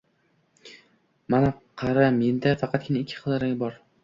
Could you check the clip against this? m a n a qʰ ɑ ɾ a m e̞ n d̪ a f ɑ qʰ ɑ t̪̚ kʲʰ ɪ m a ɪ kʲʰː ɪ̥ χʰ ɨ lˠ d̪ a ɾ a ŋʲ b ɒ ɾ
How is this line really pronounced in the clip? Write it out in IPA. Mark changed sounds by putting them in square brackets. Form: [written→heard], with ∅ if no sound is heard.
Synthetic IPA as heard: m a n a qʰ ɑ ɾ a m e̞ n d̪ a f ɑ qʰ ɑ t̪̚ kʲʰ ɪ [m→n] a ɪ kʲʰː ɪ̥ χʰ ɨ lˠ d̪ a ɾ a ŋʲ b ɒ ɾ